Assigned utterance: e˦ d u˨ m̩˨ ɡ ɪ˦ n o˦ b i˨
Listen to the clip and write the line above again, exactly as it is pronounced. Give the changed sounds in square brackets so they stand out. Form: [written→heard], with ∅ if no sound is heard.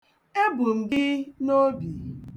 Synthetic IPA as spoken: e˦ [d→b] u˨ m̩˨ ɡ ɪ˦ n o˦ b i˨